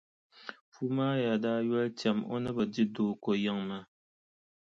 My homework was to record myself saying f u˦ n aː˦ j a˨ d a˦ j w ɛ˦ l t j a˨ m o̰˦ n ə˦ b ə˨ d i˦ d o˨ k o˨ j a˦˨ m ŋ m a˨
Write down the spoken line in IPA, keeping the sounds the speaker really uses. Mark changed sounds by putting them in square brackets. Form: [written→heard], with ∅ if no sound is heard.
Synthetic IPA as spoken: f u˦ [n→m] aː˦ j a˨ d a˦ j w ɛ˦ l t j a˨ m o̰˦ n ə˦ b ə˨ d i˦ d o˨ k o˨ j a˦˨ [m→∅] ŋ m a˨